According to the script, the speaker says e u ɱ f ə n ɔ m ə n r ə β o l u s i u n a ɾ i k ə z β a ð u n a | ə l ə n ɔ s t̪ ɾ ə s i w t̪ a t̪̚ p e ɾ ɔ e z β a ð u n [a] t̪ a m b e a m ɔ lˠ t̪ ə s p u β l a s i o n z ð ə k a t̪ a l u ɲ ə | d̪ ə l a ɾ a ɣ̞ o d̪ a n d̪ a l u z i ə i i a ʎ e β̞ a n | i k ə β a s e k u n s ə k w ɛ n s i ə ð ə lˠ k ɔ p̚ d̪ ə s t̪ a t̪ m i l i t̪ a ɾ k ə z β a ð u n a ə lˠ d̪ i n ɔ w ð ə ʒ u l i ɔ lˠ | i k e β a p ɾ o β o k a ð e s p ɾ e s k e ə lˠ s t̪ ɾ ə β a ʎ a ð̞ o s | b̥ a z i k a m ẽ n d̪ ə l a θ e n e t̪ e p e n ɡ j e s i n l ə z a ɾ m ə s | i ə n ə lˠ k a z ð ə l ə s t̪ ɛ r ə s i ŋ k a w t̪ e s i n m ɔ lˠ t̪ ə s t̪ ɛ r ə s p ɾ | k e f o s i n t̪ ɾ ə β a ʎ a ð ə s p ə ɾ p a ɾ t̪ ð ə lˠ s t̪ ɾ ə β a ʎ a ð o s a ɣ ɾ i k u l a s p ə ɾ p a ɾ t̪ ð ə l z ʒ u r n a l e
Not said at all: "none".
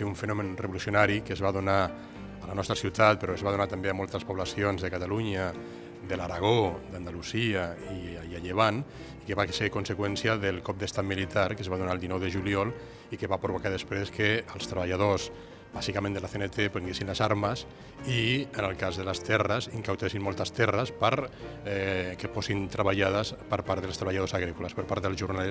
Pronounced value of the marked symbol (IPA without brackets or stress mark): a